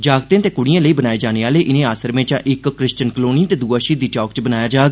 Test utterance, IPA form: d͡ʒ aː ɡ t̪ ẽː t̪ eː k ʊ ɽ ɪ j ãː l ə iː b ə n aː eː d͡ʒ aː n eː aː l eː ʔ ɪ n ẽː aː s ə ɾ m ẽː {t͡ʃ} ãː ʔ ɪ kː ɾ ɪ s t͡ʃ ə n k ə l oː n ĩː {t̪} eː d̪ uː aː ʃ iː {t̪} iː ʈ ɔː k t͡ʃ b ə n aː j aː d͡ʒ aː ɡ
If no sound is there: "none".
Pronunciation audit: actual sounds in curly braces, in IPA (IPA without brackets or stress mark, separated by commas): t͡ʃ, t̪, d̪